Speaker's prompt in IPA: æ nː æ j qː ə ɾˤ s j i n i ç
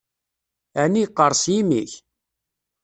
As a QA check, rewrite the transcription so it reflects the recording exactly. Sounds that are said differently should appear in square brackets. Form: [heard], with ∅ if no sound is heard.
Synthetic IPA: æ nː [i] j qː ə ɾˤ s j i [m] i ç

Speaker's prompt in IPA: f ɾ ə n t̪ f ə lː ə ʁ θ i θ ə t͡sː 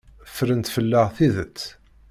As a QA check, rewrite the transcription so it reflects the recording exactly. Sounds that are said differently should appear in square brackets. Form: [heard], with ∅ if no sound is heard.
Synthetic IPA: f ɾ ə n t̪ f ə lː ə ʁ θ i [ð] ə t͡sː

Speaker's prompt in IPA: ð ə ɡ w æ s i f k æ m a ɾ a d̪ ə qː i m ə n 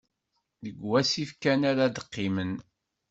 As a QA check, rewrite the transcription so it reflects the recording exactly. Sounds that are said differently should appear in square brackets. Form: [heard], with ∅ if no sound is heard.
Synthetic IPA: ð ə ɡ w æ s i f k æ [n] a ɾ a d̪ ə qː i m ə n

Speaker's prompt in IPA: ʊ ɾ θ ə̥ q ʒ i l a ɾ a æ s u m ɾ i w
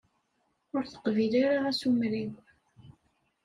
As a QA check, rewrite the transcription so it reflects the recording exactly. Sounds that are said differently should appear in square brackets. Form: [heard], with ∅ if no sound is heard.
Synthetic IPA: ʊ ɾ θ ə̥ q [v] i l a ɾ a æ s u m ɾ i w

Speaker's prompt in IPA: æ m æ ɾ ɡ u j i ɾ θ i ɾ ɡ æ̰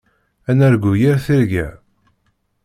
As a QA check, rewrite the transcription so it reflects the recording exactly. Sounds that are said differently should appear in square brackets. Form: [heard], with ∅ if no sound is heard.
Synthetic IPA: æ [n] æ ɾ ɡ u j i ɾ θ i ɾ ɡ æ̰

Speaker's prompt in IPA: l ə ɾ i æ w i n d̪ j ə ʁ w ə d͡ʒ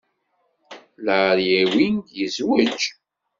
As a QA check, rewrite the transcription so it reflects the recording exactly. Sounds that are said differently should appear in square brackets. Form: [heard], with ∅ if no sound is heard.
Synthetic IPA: l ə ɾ [j] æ w i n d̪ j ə [z] w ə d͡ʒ

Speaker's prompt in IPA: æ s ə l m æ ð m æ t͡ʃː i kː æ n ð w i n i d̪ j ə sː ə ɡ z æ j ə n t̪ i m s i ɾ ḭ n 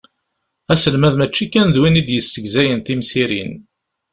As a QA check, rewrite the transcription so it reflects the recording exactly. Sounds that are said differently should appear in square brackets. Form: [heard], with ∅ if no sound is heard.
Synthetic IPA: æ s ə l m æ ð m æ t͡ʃː i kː æ n ð w i n i d̪ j ə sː ə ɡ z æ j ə n t̪ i m s i ɾ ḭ n

